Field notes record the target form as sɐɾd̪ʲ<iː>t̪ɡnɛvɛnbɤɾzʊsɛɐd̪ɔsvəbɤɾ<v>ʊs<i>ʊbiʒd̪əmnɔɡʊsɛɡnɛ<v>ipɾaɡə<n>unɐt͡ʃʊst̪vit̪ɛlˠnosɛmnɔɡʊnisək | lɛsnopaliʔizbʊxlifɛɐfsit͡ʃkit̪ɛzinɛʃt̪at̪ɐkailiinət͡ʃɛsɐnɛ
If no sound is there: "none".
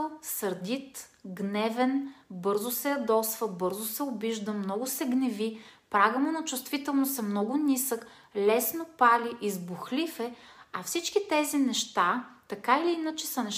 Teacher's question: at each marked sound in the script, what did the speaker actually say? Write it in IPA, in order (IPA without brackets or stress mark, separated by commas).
i, z, ɛ, v, m